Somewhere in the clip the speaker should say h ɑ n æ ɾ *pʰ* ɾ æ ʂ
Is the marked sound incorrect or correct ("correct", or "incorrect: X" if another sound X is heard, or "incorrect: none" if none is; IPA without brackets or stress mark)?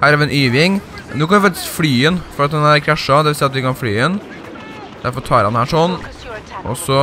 incorrect: kʰ